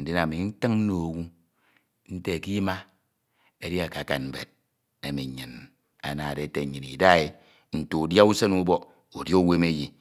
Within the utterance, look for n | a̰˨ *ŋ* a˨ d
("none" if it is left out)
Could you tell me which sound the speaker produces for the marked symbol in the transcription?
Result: n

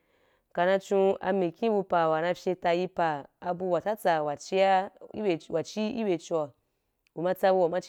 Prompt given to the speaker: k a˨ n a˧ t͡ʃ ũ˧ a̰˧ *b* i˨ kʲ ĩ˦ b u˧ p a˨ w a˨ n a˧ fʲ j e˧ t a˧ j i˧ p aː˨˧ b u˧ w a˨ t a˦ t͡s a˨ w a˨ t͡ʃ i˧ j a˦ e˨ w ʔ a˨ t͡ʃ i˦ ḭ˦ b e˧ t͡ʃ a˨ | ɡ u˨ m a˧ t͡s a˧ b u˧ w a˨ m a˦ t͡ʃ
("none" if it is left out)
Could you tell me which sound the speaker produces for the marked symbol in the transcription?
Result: m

